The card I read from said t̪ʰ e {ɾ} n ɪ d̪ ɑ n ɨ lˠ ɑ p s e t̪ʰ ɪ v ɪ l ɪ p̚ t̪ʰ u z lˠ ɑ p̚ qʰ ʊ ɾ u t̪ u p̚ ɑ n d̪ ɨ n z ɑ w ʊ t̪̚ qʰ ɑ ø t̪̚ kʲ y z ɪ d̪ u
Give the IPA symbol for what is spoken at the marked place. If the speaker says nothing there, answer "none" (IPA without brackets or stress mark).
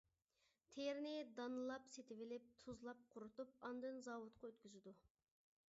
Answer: ɾ